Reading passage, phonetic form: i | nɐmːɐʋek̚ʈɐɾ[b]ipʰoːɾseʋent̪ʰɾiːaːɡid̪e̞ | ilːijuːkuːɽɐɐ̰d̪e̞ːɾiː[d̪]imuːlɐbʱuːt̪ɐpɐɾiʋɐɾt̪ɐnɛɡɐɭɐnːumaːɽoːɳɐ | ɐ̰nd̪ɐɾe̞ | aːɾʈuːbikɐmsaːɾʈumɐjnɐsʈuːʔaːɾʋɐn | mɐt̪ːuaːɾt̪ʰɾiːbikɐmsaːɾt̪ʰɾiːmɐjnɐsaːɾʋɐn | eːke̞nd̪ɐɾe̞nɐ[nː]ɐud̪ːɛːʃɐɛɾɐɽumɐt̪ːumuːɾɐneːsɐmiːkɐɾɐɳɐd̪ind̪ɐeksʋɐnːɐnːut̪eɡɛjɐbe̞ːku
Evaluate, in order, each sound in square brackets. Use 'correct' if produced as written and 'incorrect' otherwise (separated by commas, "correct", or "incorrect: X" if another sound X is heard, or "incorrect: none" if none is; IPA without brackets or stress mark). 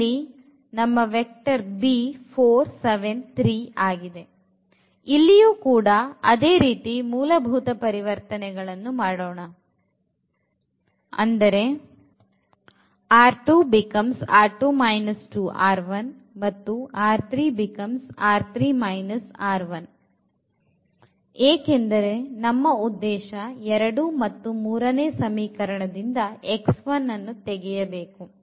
correct, incorrect: t̪, incorrect: mː